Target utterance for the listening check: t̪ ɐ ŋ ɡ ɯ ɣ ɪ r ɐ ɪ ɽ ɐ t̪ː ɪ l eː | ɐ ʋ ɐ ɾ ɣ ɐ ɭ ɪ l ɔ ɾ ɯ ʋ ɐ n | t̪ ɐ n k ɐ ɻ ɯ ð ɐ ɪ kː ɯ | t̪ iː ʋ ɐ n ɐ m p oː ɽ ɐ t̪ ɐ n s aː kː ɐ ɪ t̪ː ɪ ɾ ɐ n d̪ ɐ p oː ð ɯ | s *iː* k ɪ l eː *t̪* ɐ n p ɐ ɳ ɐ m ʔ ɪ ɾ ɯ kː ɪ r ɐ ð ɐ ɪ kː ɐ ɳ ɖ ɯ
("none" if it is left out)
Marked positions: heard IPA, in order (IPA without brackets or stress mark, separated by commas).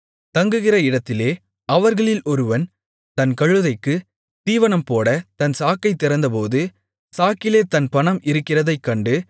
aː, t̪